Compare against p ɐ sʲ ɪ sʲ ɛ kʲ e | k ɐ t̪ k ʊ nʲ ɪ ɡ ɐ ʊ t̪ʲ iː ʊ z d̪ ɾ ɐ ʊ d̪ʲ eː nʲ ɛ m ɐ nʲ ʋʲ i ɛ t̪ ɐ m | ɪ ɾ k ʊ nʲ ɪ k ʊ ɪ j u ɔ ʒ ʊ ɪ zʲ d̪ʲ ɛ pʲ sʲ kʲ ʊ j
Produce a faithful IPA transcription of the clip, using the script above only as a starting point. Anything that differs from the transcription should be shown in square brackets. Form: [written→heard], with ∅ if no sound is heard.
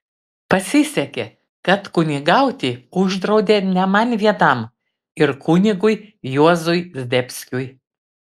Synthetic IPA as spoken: p ɐ sʲ ɪ sʲ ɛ kʲ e | k ɐ t̪ k ʊ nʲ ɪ ɡ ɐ ʊ t̪ʲ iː ʊ [z→ʒ] d̪ ɾ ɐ ʊ d̪ʲ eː nʲ ɛ m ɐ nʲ ʋʲ i ɛ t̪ ɐ m | ɪ ɾ k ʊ nʲ ɪ [k→ɡ] ʊ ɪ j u ɔ [ʒ→z] ʊ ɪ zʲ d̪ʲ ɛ pʲ sʲ kʲ ʊ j